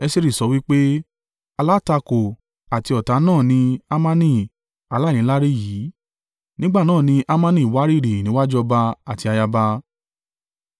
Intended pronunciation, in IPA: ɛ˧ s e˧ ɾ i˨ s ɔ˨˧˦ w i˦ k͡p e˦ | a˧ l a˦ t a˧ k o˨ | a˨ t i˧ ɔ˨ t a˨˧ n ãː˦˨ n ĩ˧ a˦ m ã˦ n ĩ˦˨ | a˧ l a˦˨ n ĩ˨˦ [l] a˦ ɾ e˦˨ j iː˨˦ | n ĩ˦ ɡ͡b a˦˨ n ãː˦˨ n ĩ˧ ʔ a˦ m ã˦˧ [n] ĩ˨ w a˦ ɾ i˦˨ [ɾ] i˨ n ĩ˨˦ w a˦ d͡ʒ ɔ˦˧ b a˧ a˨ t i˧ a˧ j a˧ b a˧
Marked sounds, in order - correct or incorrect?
correct, correct, correct

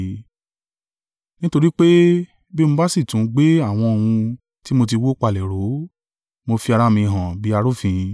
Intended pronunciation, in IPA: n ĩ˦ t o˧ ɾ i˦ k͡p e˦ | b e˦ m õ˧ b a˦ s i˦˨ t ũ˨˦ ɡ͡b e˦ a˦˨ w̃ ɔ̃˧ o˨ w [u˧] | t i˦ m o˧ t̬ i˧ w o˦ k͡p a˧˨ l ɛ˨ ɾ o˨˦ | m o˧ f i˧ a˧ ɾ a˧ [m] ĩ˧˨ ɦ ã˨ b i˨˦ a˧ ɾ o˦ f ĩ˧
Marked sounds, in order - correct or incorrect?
incorrect: ũ˧, correct

